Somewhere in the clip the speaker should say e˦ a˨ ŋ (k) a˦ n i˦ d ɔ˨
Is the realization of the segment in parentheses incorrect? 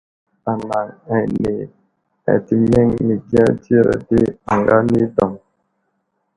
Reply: yes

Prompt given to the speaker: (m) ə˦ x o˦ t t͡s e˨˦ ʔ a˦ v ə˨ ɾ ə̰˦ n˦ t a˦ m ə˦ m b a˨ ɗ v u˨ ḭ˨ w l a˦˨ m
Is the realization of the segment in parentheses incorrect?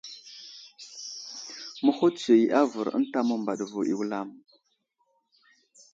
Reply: no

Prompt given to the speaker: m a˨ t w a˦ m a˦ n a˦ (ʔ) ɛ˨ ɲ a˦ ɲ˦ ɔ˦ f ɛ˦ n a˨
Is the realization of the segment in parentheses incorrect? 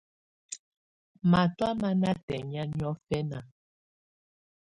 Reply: yes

